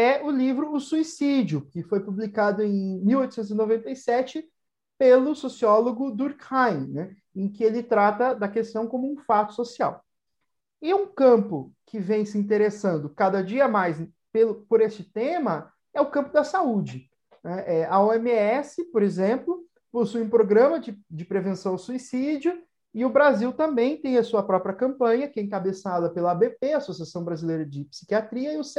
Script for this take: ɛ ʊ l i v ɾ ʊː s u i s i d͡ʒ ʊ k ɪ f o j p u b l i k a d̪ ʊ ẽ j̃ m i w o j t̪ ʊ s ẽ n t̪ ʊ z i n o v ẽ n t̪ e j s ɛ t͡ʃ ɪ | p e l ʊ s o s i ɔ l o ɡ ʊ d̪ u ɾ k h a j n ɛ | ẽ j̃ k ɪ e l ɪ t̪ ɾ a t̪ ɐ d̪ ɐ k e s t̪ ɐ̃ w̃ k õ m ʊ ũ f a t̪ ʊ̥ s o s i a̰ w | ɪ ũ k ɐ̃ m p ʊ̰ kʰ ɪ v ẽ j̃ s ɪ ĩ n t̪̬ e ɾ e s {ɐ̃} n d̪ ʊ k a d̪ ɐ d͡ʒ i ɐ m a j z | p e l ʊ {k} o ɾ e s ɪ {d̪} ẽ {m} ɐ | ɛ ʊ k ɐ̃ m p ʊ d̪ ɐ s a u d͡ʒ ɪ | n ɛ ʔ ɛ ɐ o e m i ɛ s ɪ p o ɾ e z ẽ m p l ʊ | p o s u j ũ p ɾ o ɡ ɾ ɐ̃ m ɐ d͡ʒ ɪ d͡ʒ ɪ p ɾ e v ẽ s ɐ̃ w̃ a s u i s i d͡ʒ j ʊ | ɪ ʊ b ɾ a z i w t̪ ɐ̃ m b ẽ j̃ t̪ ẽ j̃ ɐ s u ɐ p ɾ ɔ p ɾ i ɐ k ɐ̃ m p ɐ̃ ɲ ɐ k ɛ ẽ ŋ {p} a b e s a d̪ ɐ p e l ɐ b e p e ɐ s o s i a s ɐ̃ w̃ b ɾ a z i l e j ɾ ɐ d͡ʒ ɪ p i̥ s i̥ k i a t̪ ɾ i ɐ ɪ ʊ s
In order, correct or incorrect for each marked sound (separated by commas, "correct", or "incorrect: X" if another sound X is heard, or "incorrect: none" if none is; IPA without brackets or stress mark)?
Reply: correct, incorrect: p, incorrect: t̪, correct, incorrect: k